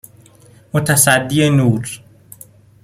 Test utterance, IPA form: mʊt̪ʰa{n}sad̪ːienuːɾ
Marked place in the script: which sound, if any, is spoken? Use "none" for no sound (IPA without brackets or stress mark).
none